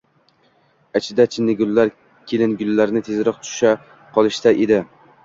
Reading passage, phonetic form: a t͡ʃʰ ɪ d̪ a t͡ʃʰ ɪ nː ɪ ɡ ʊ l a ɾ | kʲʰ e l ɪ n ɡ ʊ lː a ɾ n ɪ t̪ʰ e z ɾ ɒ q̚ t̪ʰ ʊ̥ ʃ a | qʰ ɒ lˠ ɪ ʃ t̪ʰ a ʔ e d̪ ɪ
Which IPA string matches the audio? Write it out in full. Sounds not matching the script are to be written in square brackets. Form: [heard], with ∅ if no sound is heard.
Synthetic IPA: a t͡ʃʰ ɪ d̪ a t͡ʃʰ ɪ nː ɪ ɡ ʊ [lː] a ɾ | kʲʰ e l ɪ n ɡ ʊ lː a ɾ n ɪ t̪ʰ e z ɾ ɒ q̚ t̪ʰ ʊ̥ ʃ a | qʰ ɒ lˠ ɪ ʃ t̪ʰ a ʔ e d̪ ɪ

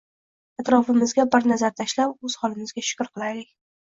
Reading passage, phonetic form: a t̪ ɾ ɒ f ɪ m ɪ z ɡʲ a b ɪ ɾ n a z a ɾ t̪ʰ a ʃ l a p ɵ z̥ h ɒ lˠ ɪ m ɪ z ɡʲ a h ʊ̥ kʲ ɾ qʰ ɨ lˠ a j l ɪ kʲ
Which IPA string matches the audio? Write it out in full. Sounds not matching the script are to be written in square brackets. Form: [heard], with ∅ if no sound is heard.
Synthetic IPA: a t̪ ɾ ɒ f ɪ m ɪ z ɡʲ a b ɪ ɾ n a z a ɾ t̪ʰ a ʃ l a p ɵ z̥ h ɒ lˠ ɪ m ɪ z ɡʲ a [ʃ] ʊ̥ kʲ ɾ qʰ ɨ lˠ a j l ɪ kʲ

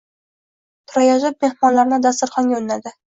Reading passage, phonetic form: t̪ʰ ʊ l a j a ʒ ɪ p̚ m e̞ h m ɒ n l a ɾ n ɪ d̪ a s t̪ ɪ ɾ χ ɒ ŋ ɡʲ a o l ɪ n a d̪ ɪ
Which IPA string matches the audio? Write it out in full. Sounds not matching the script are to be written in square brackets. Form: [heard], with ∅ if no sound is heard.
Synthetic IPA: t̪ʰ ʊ [ɾ] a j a ʒ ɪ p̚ m e̞ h m ɒ n l a ɾ n ɪ d̪ a s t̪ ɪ ɾ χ ɒ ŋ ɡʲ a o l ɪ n a d̪ ɪ

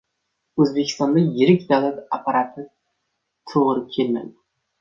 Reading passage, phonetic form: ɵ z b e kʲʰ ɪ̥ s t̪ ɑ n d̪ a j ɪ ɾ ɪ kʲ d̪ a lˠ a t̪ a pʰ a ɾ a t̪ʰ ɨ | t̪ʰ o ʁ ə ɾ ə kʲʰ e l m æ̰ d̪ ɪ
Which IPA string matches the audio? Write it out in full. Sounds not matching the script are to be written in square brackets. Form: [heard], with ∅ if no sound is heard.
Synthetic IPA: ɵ z b e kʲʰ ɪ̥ s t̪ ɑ n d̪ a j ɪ ɾ ɪ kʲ d̪ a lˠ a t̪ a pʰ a ɾ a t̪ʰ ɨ | t̪ʰ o ʁ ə ɾ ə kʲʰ e l m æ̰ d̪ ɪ

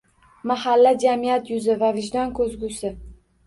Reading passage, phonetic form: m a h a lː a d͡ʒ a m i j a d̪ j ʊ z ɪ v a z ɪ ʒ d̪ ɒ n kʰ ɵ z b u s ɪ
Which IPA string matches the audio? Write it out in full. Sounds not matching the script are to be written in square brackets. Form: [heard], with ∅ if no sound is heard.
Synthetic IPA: m a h a lː a d͡ʒ a m i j a [t̪] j ʊ z ɪ v a [v] ɪ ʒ d̪ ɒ n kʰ ɵ z [ɡ] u s ɪ

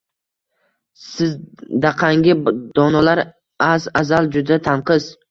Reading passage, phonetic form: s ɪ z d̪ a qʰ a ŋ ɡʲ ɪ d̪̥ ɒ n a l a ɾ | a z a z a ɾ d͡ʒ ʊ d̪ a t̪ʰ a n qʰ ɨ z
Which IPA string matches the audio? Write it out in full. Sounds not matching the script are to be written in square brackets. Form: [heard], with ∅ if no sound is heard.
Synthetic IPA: s ɪ z d̪ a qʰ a ŋ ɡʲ ɪ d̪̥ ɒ n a l a ɾ | a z a z a [l] d͡ʒ ʊ d̪ a t̪ʰ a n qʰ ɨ z

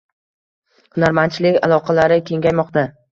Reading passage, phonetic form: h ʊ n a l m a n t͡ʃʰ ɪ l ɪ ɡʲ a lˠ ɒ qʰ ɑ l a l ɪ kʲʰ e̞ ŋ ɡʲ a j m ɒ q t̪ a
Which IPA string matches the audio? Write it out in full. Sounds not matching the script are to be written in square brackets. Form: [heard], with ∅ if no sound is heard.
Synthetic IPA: h ʊ n a [ɾ] m a n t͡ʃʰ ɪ l ɪ [kʲ] a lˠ ɒ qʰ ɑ l a [ɾ] ɪ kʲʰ e̞ ŋ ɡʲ a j m ɒ q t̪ a

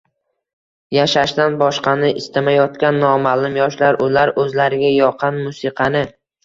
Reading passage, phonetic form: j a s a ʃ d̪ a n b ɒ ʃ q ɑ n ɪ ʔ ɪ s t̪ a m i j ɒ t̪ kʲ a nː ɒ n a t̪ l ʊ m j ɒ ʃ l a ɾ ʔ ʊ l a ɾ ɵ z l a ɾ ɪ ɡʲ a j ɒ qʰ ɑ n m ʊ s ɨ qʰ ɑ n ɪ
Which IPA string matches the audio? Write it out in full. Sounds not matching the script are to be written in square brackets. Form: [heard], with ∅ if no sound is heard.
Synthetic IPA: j a [ʃ] a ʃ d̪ a n b ɒ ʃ q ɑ n ɪ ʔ ɪ s t̪ a m [a] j ɒ t̪ kʲ a nː ɒ [m] a [∅] l ʊ m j ɒ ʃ l a ɾ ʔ ʊ l a ɾ ɵ z l a ɾ ɪ ɡʲ a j ɒ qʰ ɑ n m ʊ s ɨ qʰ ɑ n ɪ

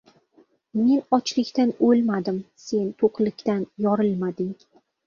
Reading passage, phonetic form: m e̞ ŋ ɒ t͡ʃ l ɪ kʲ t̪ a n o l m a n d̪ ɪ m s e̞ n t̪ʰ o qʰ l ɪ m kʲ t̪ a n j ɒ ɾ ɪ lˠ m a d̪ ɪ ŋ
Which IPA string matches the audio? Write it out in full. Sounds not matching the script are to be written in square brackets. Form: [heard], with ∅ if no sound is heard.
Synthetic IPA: m e̞ [n] ɒ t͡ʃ l ɪ kʲ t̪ a n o l m a [∅] d̪ ɪ m s e̞ n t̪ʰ o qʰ l ɪ [∅] kʲ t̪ a n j ɒ ɾ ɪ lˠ m a d̪ ɪ ŋ

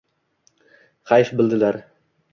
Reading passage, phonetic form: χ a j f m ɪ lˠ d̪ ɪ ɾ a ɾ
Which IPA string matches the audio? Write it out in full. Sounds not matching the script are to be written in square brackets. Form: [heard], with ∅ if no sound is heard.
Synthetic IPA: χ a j f [b] ɪ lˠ d̪ ɪ [l] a ɾ

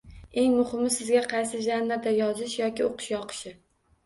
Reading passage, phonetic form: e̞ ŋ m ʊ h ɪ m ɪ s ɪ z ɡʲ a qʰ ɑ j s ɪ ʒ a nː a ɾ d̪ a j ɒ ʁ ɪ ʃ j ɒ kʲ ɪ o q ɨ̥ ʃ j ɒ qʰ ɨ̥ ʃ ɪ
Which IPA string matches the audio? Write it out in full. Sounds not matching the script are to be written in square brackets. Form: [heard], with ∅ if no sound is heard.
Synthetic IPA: e̞ ŋ m ʊ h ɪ m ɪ s ɪ z ɡʲ a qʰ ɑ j s ɪ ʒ a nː a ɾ d̪ a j ɒ [z] ɪ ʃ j ɒ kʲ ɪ o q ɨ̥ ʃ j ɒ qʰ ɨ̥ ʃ ɪ

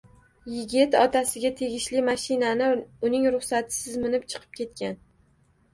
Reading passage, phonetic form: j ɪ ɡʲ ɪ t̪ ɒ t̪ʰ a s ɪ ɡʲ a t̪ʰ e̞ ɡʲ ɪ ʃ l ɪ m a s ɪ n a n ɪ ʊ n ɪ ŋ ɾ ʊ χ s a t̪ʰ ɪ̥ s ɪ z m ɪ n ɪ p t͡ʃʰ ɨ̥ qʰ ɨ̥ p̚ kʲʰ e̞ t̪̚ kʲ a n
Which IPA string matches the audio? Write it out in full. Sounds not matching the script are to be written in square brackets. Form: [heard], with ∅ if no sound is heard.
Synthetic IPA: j ɪ ɡʲ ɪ t̪ ɒ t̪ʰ a s ɪ ɡʲ a t̪ʰ e̞ ɡʲ ɪ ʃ l ɪ m a [ʃ] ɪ n a n ɪ ʊ n ɪ ŋ ɾ ʊ χ s a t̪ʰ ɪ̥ s ɪ z m ɪ n ɪ p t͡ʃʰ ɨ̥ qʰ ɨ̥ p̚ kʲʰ e̞ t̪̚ kʲ a n

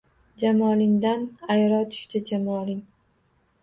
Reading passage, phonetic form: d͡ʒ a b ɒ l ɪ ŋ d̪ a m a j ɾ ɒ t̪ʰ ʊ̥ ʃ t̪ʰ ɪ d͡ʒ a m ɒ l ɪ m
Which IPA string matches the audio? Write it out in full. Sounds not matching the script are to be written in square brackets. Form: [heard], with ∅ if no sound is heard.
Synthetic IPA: d͡ʒ a [m] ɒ l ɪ ŋ d̪ a [n] a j ɾ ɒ t̪ʰ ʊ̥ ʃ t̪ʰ ɪ d͡ʒ a m ɒ l ɪ [ŋ]

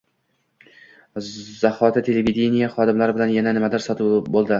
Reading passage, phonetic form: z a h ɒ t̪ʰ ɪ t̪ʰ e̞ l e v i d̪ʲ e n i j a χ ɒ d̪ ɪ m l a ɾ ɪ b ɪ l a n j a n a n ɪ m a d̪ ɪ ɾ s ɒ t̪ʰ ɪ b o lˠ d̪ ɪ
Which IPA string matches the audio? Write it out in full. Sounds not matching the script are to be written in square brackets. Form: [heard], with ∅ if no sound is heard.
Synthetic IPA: z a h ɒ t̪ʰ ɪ t̪ʰ e̞ l e v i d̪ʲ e n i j a χ ɒ d̪ ɪ m l a ɾ ɪ b ɪ l a n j a n a n ɪ m a d̪ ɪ ɾ s ɒ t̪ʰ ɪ b o lˠ d̪ ɪ

